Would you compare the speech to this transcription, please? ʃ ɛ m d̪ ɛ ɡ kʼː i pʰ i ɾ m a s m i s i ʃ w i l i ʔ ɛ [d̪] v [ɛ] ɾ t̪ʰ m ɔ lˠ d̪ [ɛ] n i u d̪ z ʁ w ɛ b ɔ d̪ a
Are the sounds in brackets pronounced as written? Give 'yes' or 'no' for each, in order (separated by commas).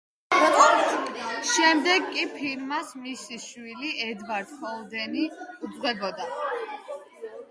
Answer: yes, no, yes